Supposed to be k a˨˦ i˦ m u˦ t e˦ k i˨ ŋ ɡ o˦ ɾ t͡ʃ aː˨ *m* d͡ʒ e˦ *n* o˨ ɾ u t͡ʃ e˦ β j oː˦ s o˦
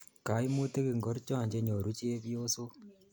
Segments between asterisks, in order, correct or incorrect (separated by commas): incorrect, incorrect